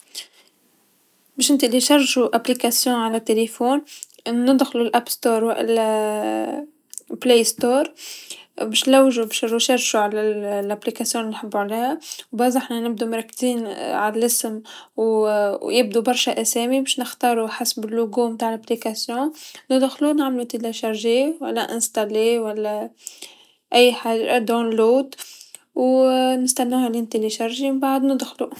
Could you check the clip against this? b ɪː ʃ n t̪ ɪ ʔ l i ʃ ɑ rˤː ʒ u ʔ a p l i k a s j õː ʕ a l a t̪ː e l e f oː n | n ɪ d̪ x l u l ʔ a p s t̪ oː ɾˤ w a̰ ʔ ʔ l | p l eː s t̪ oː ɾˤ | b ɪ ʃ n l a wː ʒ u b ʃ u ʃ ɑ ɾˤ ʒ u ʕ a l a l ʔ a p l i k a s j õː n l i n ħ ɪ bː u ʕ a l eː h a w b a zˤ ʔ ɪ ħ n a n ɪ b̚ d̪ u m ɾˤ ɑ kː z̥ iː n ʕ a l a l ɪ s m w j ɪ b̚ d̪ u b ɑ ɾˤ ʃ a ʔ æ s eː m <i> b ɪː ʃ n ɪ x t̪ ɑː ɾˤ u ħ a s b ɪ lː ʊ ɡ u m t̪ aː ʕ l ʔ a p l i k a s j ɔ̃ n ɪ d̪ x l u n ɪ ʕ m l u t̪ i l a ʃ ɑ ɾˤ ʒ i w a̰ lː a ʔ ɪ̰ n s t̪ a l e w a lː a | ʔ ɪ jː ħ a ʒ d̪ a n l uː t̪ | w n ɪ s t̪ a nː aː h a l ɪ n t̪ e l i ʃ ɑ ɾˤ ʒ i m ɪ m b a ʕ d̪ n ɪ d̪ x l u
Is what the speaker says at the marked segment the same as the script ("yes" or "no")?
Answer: yes